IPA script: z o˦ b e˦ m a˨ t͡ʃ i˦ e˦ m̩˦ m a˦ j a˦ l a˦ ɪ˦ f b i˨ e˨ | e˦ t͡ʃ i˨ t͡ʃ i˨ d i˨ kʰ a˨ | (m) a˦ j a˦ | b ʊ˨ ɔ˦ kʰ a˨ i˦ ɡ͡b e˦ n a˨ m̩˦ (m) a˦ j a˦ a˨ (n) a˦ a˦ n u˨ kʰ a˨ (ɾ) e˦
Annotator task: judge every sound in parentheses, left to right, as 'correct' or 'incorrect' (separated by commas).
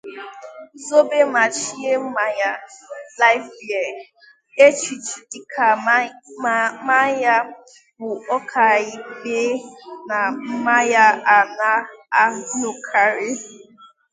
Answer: correct, correct, correct, correct